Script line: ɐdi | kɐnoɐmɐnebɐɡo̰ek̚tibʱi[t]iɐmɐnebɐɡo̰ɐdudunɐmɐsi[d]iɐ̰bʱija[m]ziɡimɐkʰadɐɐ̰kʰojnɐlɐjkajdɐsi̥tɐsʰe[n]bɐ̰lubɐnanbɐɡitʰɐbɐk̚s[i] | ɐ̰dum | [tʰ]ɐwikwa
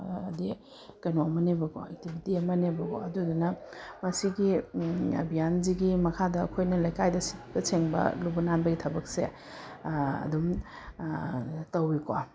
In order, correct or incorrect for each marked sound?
correct, incorrect: ɡ, incorrect: n, incorrect: ŋ, incorrect: e, incorrect: t

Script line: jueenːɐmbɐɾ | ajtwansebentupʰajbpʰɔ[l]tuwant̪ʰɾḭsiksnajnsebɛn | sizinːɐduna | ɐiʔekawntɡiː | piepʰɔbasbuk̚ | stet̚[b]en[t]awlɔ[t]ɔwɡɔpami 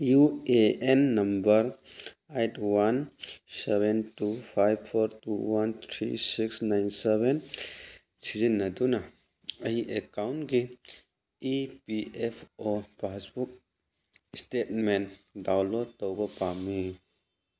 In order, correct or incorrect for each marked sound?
incorrect: ɾ, incorrect: m, incorrect: d, correct

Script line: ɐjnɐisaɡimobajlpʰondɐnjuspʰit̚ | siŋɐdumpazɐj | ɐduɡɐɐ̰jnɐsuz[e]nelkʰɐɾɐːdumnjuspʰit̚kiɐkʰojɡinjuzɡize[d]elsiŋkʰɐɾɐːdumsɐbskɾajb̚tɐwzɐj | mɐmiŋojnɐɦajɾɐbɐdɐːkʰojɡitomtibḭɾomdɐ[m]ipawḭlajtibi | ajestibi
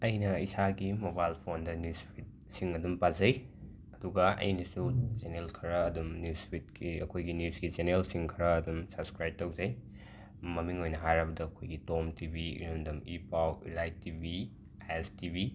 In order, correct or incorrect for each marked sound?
correct, incorrect: n, correct

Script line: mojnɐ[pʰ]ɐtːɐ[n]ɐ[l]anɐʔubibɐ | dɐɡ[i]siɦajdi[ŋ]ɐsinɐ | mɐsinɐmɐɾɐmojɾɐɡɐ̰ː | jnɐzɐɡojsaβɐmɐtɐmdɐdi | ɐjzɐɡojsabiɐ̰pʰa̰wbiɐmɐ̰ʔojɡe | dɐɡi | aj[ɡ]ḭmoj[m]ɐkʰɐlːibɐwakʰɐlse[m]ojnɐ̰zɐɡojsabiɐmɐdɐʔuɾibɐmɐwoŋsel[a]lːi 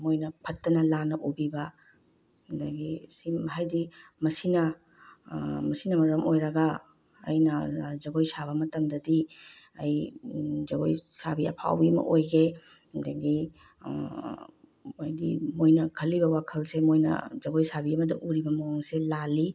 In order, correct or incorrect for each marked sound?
correct, correct, correct, correct, incorrect: m, incorrect: d, incorrect: n, correct, correct

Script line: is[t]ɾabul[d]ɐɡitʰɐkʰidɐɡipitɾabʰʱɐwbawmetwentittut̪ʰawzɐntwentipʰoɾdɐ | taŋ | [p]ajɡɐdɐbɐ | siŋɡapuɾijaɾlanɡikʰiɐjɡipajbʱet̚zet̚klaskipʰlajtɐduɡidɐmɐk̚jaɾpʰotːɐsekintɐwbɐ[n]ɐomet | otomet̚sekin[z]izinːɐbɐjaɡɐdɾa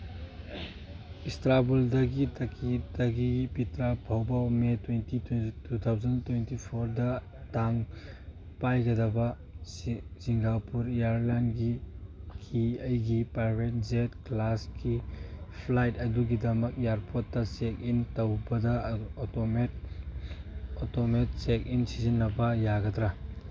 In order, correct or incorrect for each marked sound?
correct, correct, correct, incorrect: d, incorrect: s

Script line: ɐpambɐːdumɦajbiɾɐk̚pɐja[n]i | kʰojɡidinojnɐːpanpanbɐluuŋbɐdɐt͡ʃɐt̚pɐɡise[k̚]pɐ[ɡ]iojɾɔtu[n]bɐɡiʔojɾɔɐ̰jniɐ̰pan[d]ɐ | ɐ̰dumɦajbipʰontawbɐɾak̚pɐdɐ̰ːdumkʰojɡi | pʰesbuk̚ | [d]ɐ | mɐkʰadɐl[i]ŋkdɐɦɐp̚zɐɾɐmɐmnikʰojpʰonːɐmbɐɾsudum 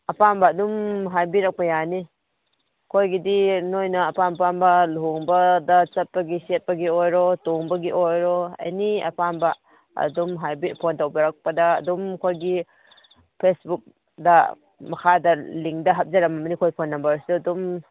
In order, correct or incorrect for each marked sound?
correct, incorrect: t̚, correct, incorrect: ŋ, incorrect: b, correct, correct

